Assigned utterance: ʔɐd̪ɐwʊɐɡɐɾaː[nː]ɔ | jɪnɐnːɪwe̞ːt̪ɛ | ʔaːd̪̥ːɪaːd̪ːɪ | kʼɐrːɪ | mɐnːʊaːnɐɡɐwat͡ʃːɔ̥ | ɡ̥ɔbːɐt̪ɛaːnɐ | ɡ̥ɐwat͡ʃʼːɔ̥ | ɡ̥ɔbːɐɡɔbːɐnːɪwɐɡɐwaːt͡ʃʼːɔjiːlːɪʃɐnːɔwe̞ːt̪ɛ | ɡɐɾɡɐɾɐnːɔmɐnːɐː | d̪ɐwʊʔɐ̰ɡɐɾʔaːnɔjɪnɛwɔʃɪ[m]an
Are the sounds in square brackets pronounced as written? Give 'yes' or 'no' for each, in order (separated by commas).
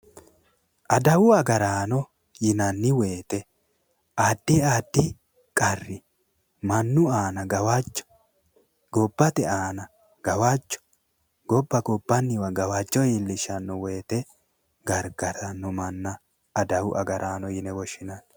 no, no